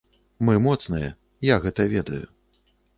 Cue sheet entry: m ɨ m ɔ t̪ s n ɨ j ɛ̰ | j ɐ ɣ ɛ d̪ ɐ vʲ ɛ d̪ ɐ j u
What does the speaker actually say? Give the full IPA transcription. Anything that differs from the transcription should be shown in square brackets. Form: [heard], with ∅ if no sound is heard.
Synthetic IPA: m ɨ m ɔ t̪ s n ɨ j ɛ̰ | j [a] ɣ ɛ [t̪] ɐ vʲ ɛ d̪ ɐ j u